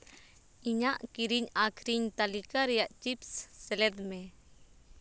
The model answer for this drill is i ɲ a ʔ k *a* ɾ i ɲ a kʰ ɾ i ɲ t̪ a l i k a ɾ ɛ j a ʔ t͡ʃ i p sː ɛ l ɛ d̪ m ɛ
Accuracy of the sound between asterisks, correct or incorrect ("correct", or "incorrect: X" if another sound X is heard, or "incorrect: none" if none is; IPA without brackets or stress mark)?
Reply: incorrect: i